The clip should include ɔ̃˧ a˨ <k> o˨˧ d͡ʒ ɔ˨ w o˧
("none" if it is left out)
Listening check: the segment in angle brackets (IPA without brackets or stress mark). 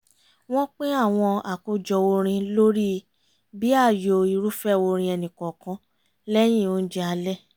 k